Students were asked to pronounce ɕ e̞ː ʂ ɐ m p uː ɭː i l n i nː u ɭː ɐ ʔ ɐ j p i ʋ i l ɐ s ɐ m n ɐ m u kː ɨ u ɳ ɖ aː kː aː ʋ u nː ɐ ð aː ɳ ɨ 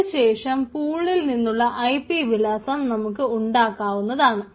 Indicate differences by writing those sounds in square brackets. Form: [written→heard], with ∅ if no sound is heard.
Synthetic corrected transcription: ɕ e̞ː ʂ ɐ m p uː ɭː i l n i nː u ɭː ɐ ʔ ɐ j p i ʋ i l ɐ s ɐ m n ɐ m u kː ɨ u ɳ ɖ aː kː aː ʋ u nː ɐ ð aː ɳ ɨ